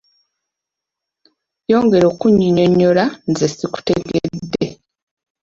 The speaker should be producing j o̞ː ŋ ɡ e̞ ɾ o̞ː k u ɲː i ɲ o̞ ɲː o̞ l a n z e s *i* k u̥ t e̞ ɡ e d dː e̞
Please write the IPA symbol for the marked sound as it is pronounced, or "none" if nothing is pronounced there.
i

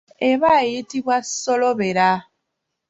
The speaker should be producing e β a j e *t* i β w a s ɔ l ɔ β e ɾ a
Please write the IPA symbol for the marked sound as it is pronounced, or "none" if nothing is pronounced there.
t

